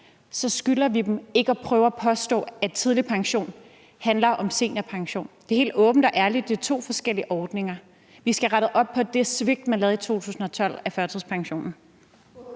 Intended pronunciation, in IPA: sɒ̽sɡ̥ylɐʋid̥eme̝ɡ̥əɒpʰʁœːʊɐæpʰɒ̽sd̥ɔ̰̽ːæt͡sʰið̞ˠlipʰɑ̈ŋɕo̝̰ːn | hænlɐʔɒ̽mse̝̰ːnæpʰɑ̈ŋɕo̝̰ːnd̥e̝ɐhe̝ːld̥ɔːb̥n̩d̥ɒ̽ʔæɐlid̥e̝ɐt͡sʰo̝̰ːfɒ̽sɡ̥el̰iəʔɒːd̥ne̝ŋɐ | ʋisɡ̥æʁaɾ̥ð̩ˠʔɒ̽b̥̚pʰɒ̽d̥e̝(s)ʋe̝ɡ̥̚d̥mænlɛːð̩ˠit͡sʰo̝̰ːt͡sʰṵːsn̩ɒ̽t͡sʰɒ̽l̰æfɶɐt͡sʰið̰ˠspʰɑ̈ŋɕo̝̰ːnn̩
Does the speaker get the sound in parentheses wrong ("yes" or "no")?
no